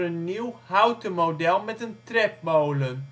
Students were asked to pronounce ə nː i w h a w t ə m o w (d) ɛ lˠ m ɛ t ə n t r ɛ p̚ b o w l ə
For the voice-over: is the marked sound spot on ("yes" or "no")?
yes